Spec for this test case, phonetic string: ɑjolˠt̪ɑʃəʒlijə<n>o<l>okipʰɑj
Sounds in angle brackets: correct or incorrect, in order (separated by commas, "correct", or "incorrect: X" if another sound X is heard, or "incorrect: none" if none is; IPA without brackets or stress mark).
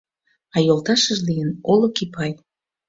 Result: correct, correct